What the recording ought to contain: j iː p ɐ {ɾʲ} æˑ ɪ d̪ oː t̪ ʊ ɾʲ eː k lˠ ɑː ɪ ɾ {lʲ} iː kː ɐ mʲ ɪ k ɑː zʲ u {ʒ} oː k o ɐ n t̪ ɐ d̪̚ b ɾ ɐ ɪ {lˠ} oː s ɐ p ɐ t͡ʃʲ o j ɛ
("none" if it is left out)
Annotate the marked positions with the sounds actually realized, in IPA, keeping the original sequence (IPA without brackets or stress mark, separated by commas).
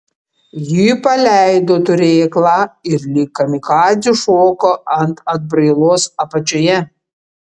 lʲ, lʲ, ʃ, lˠ